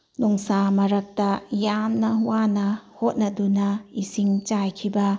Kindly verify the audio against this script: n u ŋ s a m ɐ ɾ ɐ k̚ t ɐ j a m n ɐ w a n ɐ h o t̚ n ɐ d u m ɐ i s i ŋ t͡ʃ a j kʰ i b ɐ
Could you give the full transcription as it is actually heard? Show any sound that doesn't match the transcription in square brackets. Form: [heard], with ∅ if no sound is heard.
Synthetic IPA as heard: n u ŋ s a m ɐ ɾ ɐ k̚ t ɐ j a m n ɐ w a n ɐ h o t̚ n ɐ d u [n] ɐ i s i ŋ t͡ʃ a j kʰ i b ɐ